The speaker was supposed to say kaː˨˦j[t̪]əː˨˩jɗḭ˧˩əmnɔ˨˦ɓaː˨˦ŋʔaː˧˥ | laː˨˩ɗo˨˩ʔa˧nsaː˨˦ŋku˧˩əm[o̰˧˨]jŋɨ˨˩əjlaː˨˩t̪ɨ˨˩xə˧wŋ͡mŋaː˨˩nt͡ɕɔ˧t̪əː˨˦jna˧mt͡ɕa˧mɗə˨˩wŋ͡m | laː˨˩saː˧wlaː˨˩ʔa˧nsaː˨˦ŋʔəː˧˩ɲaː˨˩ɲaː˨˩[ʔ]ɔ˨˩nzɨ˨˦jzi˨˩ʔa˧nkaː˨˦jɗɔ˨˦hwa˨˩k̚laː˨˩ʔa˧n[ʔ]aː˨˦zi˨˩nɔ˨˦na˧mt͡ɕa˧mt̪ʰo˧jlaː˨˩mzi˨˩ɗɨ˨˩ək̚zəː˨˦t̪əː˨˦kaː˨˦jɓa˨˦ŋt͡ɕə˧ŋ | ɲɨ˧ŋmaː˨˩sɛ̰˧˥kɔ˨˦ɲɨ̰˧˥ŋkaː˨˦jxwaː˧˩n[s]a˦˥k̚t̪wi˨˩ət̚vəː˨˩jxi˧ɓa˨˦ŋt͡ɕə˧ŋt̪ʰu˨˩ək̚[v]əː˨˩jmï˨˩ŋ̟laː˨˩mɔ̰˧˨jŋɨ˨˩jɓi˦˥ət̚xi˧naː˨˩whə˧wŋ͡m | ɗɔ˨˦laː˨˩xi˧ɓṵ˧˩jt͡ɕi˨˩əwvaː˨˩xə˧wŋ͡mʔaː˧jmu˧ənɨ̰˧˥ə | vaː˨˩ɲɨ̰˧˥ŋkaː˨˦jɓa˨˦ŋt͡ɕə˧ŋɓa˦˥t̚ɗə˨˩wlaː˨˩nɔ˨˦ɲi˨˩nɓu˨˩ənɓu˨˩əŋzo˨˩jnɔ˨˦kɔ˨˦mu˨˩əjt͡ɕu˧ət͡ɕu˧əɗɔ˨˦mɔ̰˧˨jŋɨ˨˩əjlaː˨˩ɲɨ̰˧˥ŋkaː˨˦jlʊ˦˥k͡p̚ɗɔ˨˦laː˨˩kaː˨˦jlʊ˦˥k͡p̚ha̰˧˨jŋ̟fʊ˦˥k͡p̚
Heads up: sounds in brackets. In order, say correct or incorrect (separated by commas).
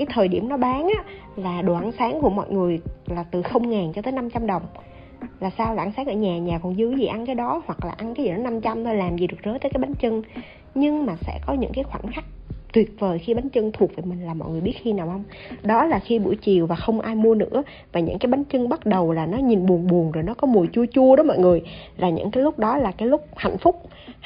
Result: incorrect, incorrect, incorrect, incorrect, incorrect, correct